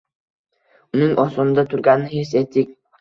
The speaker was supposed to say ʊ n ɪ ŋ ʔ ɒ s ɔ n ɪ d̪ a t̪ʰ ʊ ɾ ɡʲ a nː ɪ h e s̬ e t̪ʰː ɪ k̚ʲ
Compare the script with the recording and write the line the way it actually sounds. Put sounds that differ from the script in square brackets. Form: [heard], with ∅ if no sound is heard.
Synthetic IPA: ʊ n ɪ ŋ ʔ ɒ s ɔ n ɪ d̪ a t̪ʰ ʊ ɾ ɡʲ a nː ɪ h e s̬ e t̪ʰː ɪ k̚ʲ